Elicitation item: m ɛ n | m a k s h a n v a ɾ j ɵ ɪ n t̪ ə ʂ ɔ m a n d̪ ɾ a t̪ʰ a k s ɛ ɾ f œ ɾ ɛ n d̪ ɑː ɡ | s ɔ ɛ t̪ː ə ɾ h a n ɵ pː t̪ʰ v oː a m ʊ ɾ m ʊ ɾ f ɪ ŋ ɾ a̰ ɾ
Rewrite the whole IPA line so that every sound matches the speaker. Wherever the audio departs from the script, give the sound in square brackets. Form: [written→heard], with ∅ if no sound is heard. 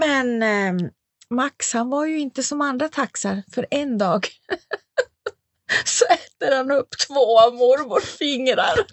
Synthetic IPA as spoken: m ɛ n | m a k s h a n v a ɾ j ɵ ɪ n t̪ ə [ʂ→s] ɔ m a n d̪ ɾ a t̪ʰ a k s [ɛ→a] ɾ f œ ɾ ɛ n d̪ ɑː ɡ | s ɔ ɛ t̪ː ə ɾ h a n ɵ pː t̪ʰ v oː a m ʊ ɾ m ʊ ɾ f ɪ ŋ ɾ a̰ ɾ